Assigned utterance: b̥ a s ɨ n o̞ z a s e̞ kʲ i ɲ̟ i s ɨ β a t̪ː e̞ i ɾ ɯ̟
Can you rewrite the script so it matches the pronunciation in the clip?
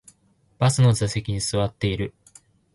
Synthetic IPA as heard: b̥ a s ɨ n o̞ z a s e̞ kʲ i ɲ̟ i s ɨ β a t̪ː e̞ i ɾ ɯ̟